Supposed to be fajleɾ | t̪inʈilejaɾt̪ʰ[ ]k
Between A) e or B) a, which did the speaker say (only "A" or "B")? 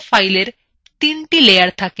B